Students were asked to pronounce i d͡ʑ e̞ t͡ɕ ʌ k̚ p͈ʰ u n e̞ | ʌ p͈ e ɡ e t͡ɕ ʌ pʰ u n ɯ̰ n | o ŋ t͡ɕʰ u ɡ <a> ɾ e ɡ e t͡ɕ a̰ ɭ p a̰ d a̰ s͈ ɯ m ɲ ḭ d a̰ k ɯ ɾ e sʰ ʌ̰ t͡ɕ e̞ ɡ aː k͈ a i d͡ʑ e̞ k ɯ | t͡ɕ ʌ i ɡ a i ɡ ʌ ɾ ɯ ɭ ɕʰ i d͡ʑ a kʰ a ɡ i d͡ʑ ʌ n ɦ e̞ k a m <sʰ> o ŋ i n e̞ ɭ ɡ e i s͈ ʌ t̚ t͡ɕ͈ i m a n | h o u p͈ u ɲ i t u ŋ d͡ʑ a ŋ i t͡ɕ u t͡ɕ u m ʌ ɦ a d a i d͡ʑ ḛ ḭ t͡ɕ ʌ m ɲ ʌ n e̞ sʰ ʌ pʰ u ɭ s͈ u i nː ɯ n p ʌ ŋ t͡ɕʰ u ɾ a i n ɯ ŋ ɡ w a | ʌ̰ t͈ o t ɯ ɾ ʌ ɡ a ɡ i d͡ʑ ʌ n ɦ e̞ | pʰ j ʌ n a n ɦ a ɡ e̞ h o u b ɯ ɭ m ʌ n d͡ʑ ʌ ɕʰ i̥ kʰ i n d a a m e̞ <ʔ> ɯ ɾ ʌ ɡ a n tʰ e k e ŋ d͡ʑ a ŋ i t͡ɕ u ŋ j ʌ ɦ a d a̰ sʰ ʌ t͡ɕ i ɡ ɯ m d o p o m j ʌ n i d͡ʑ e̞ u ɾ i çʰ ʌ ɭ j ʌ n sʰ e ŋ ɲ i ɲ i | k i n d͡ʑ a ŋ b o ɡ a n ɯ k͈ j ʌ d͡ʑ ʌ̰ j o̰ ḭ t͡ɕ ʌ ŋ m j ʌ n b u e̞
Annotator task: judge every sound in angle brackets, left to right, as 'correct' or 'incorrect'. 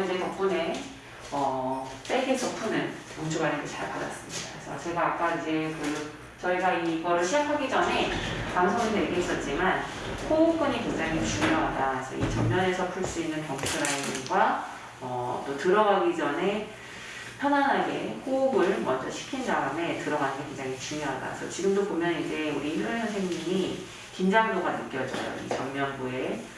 correct, correct, incorrect: t

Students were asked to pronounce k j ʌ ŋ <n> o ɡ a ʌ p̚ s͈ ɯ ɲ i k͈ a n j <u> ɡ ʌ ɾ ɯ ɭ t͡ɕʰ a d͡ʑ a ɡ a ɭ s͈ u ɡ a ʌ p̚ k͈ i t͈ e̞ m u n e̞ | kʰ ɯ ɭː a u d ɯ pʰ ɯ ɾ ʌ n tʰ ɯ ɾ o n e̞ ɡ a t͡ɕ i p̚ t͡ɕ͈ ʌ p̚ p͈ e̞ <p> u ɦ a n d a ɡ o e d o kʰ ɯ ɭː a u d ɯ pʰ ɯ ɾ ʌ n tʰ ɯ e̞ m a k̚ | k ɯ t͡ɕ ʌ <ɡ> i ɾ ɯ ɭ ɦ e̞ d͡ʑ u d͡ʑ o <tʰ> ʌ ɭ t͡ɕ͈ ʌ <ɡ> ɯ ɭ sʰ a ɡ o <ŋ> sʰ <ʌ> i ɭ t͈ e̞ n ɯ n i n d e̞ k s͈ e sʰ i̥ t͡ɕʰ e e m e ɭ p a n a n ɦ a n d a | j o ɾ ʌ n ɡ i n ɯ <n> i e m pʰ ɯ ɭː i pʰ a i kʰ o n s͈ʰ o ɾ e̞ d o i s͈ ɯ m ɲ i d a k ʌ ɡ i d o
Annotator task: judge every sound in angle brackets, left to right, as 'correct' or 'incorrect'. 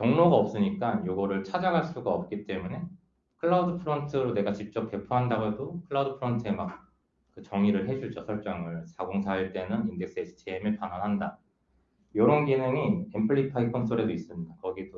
correct, incorrect: o, incorrect: pʰ, incorrect: ŋ, incorrect: sʰ, incorrect: ŋ, correct, incorrect: a, incorrect: ŋ

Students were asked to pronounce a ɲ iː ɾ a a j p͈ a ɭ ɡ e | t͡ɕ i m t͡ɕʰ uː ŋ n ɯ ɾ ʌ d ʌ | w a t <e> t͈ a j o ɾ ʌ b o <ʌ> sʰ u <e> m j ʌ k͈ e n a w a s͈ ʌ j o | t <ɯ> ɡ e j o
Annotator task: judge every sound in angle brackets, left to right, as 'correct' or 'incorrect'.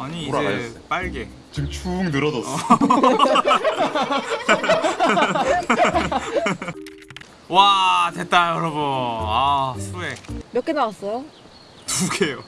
correct, incorrect: a, correct, incorrect: u

